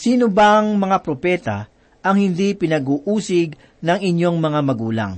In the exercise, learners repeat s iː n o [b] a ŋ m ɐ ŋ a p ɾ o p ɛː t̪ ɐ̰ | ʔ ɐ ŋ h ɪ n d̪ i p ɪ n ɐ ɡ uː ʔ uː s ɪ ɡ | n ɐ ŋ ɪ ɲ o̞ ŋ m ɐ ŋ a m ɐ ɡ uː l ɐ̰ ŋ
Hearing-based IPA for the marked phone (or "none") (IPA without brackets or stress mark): b